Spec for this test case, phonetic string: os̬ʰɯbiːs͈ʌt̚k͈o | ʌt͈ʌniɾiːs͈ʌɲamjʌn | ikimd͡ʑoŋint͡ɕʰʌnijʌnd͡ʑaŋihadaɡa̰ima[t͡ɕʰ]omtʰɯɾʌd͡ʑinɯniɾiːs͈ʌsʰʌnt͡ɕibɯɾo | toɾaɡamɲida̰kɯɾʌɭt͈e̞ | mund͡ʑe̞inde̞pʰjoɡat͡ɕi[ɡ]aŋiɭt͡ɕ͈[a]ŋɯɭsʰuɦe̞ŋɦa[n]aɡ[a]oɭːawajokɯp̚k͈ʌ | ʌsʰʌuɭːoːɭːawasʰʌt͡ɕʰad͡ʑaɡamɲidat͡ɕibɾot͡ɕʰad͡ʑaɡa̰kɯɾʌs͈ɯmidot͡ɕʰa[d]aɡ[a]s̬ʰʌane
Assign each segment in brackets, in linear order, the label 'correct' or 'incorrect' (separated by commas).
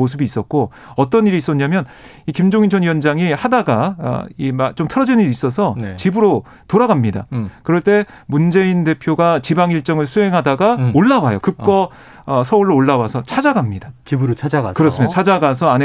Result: incorrect, incorrect, incorrect, incorrect, correct, incorrect, correct